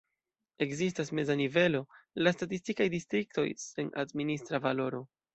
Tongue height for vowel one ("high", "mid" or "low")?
mid